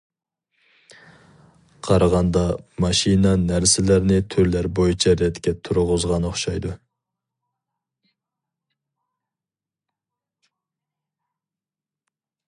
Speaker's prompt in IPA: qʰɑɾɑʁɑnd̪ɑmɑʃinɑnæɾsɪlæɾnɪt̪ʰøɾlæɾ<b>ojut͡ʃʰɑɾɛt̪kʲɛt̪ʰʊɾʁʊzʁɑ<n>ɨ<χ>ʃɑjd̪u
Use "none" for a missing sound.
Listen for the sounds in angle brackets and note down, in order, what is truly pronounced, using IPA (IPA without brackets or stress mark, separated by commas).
b, n, χ